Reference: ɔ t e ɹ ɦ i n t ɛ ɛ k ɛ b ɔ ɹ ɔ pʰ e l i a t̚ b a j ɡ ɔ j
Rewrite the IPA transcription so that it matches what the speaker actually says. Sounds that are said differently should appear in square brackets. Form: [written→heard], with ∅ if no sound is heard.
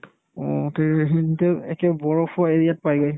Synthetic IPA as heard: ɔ t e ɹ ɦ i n t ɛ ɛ k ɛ b ɔ ɹ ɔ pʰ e [l→ɹ] i a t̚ [b→p] a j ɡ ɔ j